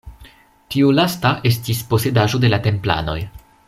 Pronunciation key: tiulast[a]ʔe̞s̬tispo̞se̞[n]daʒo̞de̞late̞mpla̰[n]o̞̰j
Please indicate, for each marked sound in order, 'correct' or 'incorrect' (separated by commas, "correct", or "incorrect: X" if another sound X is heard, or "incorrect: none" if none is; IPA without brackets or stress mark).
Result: correct, incorrect: none, correct